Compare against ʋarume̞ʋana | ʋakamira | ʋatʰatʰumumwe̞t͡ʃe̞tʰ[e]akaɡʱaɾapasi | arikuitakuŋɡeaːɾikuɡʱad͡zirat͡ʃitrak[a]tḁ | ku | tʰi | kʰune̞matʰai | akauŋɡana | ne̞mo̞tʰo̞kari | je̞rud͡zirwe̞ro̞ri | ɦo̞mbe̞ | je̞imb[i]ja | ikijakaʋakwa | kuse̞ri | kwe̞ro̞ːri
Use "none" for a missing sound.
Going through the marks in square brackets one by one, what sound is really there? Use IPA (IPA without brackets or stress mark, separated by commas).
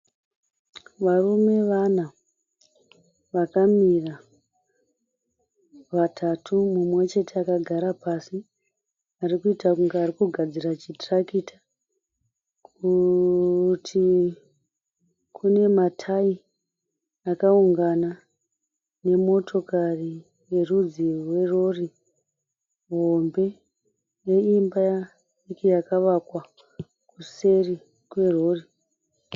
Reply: e, i, a